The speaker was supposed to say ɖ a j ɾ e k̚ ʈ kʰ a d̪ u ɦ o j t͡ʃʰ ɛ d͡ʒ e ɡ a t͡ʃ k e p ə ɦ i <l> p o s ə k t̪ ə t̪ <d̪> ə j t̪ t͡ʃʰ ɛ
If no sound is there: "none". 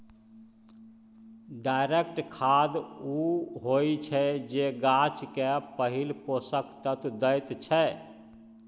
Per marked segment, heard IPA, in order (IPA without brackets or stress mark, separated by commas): l, d̪